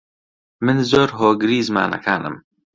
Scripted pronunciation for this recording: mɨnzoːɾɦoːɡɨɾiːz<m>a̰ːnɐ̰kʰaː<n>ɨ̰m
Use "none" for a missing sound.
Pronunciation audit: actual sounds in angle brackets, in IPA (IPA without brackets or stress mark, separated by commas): m, n